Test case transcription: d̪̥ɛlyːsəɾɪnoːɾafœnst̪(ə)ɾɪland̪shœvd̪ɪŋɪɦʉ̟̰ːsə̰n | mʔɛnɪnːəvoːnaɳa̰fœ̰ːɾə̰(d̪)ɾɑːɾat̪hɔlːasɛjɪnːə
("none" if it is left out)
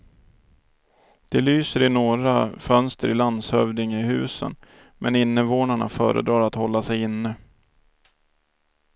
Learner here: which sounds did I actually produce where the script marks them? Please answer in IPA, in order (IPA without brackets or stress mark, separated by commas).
ə, d̪